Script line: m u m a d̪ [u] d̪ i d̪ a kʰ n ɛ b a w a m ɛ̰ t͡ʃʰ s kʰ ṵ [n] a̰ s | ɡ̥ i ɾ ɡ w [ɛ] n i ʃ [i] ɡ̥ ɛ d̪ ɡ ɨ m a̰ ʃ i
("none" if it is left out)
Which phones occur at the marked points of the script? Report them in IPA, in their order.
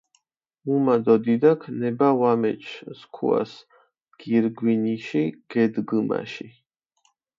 ɔ, none, i, i

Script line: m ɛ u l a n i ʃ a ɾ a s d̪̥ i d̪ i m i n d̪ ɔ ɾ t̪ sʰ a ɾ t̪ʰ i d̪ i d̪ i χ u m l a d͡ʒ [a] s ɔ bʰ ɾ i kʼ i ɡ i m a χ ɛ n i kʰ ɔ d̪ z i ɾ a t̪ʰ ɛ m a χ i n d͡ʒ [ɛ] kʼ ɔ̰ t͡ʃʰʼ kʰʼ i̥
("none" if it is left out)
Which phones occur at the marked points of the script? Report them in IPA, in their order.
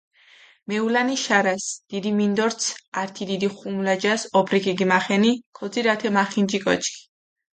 a, i

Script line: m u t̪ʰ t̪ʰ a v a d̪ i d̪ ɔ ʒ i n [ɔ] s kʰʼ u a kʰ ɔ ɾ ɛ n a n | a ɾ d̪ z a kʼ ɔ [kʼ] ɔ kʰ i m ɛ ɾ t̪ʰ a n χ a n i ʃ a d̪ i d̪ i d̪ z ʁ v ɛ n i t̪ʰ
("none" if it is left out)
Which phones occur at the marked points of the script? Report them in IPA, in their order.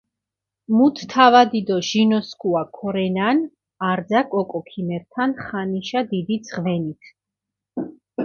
ɔ, kʼ

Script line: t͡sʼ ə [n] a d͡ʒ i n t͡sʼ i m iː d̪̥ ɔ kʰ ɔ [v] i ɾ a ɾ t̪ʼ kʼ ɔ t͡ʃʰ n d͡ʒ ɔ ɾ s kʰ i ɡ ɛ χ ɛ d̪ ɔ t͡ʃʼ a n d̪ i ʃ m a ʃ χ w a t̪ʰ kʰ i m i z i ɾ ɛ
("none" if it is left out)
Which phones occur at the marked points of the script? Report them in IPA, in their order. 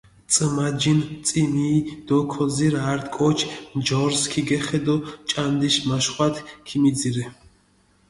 m, z

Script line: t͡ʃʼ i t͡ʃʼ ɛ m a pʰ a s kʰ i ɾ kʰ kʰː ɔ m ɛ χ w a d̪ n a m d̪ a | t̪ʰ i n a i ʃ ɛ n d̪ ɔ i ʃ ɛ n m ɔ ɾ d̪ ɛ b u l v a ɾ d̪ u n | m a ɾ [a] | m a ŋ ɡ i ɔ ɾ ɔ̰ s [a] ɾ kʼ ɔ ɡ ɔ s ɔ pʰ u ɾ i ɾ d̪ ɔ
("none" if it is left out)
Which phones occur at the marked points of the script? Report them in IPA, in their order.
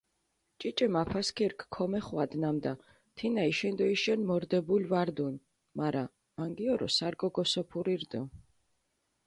a, a

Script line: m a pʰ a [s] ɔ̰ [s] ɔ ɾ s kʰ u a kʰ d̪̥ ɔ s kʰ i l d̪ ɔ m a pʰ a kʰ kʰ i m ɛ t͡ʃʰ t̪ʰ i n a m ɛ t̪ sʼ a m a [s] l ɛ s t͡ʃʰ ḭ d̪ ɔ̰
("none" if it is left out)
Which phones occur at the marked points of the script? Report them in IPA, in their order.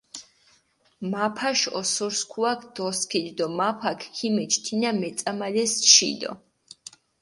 ʃ, s, none

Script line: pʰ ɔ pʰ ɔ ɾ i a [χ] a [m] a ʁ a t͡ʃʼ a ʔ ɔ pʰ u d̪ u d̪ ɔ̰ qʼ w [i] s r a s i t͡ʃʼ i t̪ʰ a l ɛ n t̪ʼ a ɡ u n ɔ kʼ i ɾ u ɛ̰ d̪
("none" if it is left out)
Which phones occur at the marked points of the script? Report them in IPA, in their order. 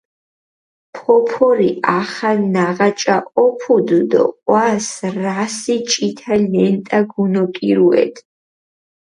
χ, n, a

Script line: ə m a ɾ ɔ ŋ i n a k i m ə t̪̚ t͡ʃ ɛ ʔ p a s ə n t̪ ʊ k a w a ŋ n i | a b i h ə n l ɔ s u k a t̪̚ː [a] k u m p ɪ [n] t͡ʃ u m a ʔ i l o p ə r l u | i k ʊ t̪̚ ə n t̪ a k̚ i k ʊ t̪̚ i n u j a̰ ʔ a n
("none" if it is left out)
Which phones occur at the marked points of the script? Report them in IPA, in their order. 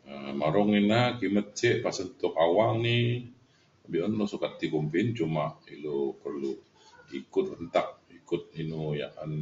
i, n

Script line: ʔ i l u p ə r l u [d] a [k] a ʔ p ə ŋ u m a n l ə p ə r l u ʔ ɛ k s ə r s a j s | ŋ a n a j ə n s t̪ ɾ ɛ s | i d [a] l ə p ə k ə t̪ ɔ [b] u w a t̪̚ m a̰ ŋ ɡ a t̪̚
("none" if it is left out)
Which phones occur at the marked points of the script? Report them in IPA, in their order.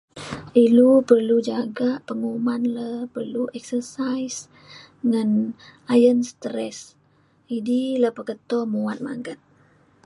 d͡ʒ, ɡ, i, m

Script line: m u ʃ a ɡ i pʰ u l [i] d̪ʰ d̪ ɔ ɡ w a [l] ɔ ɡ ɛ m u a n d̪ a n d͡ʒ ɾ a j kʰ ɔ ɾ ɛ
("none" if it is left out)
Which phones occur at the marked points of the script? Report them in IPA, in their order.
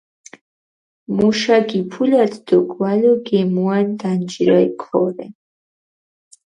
a, l

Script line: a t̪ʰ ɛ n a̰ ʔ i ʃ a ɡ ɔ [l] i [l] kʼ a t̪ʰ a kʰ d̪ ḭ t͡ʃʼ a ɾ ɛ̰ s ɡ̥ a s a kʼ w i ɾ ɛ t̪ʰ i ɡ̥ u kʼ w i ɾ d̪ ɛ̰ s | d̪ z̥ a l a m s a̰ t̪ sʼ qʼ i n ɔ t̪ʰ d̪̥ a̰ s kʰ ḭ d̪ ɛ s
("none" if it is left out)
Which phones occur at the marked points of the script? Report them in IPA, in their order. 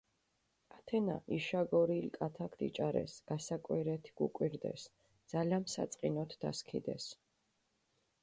ɾ, l

